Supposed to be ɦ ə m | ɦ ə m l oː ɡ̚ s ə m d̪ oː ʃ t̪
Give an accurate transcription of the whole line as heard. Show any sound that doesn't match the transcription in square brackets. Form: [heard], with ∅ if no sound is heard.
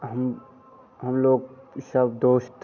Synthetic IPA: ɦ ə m | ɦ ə m l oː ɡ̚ s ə [b] d̪ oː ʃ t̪